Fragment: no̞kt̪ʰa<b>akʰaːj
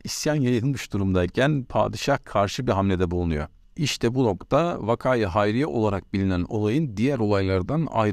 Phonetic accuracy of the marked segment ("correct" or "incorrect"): incorrect